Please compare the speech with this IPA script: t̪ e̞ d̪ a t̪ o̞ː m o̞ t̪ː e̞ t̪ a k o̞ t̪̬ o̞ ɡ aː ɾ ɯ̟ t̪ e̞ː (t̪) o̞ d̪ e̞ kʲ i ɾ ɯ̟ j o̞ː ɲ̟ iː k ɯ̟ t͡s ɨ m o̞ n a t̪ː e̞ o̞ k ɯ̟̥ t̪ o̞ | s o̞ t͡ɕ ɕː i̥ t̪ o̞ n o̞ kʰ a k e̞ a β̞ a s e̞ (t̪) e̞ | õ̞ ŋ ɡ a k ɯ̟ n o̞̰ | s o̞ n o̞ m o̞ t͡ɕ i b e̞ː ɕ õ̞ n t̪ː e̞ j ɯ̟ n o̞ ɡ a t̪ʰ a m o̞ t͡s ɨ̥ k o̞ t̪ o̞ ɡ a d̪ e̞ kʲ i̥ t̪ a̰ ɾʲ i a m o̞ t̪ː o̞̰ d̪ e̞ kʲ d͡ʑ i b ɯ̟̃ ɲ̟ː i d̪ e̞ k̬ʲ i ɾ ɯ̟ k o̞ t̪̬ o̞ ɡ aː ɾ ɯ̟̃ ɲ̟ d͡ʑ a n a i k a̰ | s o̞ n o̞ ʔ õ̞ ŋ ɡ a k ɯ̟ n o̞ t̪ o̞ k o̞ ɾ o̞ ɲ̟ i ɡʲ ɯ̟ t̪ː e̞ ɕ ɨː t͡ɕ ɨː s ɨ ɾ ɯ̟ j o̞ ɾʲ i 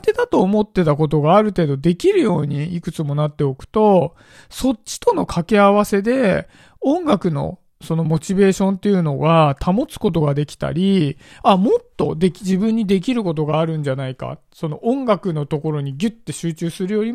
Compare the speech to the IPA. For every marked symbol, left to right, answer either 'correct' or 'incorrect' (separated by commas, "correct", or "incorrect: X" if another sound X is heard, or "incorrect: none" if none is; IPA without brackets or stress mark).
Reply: incorrect: d̪, incorrect: d̪